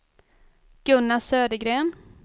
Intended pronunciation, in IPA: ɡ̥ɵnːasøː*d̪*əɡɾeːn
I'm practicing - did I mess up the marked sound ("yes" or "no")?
no